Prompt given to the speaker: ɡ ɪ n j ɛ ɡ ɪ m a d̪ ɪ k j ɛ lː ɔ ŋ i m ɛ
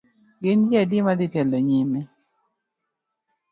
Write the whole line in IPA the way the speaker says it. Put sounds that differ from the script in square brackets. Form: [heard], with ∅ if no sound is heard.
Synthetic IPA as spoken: ɡ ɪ n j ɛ [d] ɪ m a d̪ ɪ [t] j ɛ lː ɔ [ɲ] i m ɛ